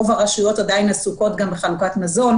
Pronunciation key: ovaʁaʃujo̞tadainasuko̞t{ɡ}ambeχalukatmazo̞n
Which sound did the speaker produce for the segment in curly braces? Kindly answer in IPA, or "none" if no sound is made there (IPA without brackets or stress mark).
ɡ